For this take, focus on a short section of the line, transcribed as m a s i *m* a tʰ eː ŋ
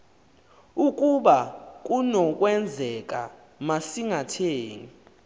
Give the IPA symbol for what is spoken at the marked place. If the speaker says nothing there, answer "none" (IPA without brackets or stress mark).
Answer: ŋ